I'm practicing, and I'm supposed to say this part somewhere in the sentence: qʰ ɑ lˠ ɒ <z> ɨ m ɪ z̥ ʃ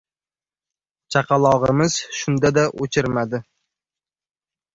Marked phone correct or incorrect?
incorrect